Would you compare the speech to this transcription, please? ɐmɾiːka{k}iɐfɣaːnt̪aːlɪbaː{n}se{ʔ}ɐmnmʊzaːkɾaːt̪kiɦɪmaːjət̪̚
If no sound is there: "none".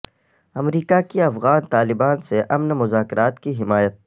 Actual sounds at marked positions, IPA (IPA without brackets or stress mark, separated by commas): k, n, ʔ